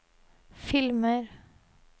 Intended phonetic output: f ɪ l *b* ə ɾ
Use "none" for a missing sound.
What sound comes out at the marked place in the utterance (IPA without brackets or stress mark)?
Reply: m